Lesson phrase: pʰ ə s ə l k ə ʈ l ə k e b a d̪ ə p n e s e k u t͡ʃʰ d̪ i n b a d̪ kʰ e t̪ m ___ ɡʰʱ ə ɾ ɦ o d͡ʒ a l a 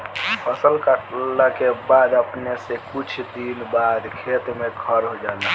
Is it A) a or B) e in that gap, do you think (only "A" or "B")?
B